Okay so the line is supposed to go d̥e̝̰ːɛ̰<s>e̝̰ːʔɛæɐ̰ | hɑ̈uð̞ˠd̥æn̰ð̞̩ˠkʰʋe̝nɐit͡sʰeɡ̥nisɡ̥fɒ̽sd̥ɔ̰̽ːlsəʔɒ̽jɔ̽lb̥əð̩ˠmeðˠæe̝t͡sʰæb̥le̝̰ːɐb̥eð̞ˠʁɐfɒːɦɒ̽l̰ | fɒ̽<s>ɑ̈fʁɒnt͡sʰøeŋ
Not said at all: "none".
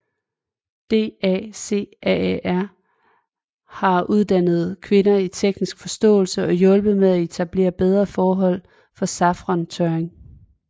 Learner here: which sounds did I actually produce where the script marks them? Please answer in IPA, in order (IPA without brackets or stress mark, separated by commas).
s, s